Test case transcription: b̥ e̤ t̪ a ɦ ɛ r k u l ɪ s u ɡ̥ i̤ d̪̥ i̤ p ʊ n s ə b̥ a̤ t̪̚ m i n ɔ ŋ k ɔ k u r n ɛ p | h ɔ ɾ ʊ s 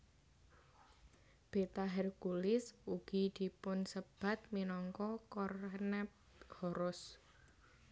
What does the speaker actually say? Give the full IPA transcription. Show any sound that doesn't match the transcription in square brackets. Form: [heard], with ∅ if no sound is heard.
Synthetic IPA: b̥ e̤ t̪ a ɦ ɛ r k u l ɪ s u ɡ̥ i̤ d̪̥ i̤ p ʊ n s ə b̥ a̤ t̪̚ m i n ɔ ŋ k ɔ k [ɔ] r n ɛ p | h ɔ ɾ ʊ s